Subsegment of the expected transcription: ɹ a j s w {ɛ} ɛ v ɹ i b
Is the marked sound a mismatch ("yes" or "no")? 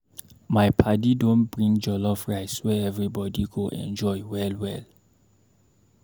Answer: no